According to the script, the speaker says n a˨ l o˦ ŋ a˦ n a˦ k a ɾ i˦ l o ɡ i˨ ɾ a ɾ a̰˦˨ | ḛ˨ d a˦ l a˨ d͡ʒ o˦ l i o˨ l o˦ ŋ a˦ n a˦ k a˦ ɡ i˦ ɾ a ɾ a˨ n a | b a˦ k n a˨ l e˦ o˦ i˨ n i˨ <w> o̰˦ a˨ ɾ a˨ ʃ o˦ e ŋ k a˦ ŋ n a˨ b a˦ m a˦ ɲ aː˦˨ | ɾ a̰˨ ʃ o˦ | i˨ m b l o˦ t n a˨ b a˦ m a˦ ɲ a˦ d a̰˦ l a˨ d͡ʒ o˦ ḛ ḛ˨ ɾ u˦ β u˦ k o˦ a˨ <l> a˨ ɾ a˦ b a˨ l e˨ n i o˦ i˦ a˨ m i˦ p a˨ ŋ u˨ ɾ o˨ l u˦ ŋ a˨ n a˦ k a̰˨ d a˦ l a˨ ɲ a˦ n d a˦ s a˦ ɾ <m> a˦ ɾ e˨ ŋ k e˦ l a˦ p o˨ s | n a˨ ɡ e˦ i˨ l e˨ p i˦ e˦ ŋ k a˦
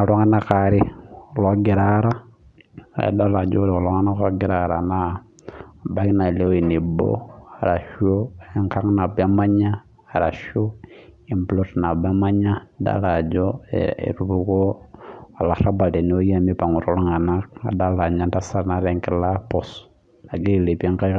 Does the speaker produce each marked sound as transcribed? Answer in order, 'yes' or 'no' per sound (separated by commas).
no, yes, no